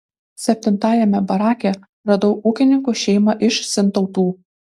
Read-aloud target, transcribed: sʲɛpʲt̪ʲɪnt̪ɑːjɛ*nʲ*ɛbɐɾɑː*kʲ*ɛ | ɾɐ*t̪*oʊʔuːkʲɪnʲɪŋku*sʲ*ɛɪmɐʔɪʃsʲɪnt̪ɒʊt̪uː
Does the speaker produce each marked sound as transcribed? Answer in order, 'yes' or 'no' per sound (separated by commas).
no, yes, no, no